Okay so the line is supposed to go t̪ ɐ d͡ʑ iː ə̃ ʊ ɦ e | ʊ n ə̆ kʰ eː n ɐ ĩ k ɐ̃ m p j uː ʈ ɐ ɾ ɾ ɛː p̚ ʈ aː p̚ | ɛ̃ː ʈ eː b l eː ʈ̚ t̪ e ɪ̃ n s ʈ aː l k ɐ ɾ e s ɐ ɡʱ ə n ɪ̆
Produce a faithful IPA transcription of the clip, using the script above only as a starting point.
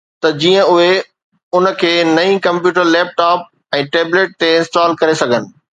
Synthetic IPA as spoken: t̪ ɐ d͡ʑ iː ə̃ ʊ ɦ e | ʊ n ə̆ kʰ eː n ɐ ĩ k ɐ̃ m p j uː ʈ ə ɾ l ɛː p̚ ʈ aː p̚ | ɛ̃ː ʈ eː b l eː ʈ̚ t̪ e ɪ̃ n s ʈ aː l k ɐ ɾ e s ɐ ɡʱ ə n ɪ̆